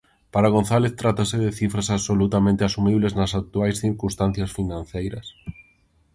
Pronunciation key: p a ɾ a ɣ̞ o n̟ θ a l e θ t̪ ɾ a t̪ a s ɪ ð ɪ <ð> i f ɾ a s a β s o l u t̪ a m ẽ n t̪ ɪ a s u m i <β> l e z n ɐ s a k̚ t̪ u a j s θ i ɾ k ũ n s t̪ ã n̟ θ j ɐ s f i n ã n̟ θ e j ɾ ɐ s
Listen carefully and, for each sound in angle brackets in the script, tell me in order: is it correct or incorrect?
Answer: incorrect, correct

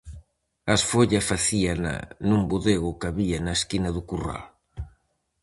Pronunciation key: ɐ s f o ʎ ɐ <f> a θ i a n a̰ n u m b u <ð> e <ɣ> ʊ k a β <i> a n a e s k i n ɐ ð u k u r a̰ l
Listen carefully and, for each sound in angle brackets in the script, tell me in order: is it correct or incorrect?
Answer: correct, correct, correct, correct

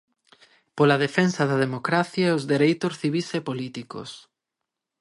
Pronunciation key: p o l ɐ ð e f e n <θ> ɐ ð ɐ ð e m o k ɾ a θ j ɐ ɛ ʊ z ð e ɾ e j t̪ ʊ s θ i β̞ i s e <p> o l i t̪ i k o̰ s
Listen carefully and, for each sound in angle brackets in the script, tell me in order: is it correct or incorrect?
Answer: incorrect, correct

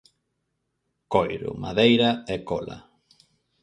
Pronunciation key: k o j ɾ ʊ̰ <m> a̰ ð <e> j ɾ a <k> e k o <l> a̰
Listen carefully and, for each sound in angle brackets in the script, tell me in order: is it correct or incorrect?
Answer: correct, correct, incorrect, correct

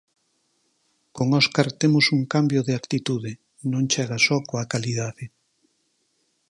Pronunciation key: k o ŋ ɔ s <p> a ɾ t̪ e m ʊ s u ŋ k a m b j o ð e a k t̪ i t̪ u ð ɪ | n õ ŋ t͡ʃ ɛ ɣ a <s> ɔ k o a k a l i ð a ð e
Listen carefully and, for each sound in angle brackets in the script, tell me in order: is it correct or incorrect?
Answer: incorrect, correct

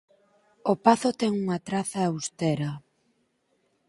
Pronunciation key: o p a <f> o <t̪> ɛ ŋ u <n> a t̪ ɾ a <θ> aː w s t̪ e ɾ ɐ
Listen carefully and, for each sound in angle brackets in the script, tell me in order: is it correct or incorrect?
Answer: incorrect, correct, incorrect, correct

